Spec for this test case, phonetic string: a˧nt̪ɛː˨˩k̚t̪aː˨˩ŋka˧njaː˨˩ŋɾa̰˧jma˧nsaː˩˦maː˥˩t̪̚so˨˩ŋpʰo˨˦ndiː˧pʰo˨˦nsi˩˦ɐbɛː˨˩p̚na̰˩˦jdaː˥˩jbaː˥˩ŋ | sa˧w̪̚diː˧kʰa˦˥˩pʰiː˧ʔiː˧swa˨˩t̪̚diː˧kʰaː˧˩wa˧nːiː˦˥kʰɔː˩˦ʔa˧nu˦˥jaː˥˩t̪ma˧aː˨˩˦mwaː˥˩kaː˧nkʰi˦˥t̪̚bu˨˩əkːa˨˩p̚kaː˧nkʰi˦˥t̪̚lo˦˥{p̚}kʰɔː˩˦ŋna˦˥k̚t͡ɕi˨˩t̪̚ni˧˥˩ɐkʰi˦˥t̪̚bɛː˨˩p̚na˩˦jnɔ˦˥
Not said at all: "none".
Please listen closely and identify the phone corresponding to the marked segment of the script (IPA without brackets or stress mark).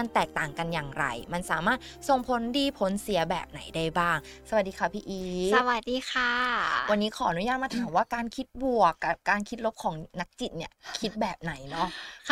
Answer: p̚